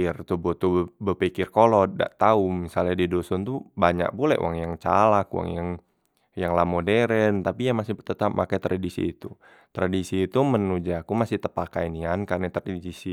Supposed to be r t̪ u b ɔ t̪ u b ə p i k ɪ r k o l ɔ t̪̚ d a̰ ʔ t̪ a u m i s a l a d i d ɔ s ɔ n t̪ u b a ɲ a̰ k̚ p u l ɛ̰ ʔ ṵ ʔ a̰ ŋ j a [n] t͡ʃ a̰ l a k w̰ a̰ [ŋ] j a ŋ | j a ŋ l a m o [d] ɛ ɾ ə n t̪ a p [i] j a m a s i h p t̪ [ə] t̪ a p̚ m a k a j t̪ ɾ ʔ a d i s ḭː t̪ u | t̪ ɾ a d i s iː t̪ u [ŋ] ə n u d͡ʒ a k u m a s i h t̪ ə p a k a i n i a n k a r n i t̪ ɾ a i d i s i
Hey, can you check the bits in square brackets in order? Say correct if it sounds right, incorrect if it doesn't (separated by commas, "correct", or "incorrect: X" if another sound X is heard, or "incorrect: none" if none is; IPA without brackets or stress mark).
incorrect: ŋ, correct, correct, correct, correct, incorrect: m